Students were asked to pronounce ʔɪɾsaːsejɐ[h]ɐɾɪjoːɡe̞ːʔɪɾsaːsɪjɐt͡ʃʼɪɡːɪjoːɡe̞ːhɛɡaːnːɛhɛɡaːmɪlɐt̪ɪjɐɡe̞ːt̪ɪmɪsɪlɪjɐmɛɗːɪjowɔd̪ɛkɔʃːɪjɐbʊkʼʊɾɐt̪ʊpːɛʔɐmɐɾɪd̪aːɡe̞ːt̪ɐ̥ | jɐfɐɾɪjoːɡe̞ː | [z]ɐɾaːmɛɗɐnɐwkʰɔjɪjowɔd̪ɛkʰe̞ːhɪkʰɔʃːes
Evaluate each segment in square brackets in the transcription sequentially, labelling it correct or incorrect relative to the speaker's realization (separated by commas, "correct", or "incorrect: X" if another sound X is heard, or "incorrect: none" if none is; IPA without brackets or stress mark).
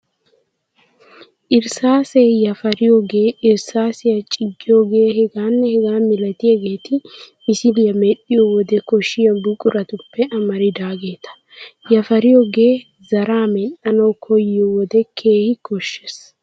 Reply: incorrect: f, correct